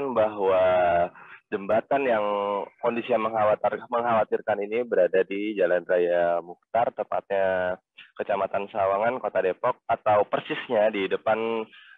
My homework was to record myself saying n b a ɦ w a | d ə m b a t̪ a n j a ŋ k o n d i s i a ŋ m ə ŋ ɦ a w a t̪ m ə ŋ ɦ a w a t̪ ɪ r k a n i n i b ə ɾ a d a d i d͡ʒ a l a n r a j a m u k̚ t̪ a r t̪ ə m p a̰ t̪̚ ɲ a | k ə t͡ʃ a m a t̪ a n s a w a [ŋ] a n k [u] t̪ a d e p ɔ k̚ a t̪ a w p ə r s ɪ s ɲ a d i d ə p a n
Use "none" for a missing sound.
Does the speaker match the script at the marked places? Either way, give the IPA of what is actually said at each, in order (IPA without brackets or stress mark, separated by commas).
ŋ, o